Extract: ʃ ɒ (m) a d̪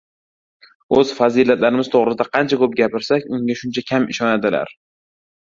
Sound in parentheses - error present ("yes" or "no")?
yes